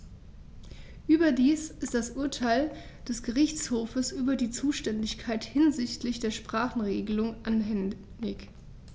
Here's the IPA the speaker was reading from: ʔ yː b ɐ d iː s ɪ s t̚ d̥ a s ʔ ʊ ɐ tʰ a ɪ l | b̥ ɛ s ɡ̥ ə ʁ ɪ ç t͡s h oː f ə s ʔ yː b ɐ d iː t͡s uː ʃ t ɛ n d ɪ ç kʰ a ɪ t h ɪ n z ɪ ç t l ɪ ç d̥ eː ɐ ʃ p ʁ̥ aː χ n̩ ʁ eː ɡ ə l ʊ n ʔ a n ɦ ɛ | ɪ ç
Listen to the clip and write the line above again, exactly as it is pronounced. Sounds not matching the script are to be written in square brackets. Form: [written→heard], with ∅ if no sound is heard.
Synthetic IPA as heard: ʔ yː b ɐ d iː s ɪ s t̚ d̥ a s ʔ ʊ ɐ tʰ a ɪ l | [b̥→d̥] ɛ s ɡ̥ ə ʁ ɪ ç t͡s h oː f ə s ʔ yː b ɐ d iː t͡s uː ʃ t ɛ n d ɪ ç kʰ a ɪ t h ɪ n z ɪ ç t l ɪ ç d̥ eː ɐ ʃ p ʁ̥ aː χ n̩ ʁ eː ɡ ə l ʊ [n→ŋ] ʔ a n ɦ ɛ | ɪ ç